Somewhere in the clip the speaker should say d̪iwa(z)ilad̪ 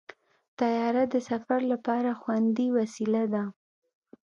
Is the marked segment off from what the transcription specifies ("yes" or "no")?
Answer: yes